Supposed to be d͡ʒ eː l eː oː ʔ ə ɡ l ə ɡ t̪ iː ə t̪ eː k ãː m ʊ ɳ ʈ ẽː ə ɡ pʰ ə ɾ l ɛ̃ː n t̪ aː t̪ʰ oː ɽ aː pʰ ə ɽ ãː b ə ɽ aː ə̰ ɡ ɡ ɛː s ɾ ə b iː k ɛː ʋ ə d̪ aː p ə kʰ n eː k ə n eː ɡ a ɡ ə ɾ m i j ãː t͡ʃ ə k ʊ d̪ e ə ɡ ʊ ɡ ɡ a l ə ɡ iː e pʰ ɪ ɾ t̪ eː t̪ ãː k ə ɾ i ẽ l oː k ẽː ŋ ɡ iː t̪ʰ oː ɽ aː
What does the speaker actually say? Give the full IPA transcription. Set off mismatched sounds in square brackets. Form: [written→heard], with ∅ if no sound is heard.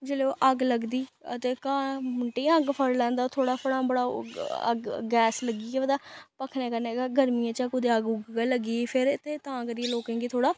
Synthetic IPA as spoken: d͡ʒ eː l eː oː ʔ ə ɡ l ə ɡ [t̪→d̪] iː ə t̪ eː k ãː m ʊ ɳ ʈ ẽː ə ɡ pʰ ə ɾ l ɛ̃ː n [t̪→d̪] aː t̪ʰ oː ɽ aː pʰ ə ɽ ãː b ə ɽ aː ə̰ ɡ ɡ ɛː s [ɾ→l] ə [b→ɡ] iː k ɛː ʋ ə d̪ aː p ə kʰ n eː k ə n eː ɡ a ɡ ə ɾ m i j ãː t͡ʃ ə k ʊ d̪ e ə ɡ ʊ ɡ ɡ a l ə ɡ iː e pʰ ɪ ɾ t̪ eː t̪ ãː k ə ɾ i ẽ l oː k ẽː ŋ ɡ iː t̪ʰ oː ɽ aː